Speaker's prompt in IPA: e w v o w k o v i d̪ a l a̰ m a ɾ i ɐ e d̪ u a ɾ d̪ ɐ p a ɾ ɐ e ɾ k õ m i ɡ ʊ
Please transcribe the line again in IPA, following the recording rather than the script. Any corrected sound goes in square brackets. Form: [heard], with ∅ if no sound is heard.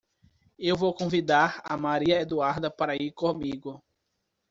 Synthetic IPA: e w v o w k [õ] v i d̪ a [ɾ] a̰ m a ɾ i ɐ e d̪ u a ɾ d̪ ɐ p a ɾ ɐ [i] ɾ k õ m i ɡ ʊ